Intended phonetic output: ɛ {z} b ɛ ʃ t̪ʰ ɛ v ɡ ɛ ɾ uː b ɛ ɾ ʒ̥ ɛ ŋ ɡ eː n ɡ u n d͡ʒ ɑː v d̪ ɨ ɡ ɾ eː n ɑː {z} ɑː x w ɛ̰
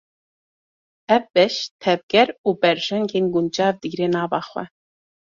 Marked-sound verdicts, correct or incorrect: incorrect: v, incorrect: v

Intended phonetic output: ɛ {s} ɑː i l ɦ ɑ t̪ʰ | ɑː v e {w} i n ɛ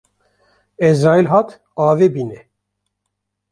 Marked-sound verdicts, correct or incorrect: incorrect: z, incorrect: b

